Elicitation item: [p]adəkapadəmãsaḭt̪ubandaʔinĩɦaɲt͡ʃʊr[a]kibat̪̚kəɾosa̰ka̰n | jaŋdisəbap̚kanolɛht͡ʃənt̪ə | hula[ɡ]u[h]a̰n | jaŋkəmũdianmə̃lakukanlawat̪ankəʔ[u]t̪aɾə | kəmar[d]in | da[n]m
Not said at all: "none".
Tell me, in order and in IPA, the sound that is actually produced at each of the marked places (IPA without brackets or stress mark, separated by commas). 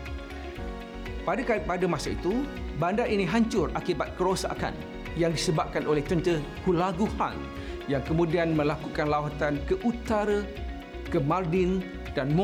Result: p, a, ɡ, h, u, d, n